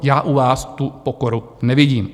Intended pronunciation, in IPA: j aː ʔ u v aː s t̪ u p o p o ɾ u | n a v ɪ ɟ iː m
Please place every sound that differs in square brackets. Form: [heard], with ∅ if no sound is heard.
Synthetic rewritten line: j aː ʔ u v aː s t̪ u p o [k] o ɾ u | n [ɛ] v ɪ ɟ iː m